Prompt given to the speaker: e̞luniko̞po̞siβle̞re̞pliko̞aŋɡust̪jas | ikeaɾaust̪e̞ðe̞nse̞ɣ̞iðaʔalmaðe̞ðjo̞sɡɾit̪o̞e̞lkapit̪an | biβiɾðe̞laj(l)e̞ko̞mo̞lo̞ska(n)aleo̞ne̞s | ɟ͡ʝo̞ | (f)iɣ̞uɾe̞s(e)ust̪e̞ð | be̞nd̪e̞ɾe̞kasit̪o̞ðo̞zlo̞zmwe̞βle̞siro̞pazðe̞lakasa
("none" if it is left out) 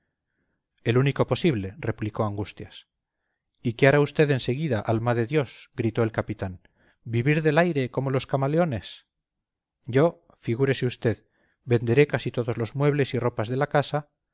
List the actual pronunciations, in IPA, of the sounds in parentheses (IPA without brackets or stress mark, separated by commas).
ɾ, m, f, e